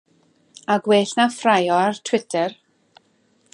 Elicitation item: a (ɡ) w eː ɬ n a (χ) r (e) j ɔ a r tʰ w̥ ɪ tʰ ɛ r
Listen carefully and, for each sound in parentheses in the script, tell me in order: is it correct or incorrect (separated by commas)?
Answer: correct, incorrect, incorrect